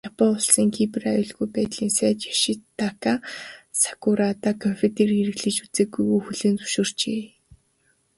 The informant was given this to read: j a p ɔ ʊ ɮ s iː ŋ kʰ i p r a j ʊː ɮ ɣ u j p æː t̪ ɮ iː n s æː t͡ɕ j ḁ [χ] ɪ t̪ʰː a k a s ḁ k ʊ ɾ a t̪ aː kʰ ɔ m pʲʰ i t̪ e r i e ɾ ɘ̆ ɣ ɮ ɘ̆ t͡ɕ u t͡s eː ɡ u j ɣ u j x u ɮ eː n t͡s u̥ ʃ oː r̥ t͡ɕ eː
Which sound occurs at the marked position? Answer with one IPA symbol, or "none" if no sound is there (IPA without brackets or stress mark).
ʃ